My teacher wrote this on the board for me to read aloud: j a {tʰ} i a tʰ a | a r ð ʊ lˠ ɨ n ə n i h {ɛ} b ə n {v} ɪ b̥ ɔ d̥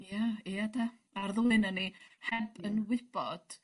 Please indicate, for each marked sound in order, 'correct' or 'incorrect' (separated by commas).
incorrect, correct, incorrect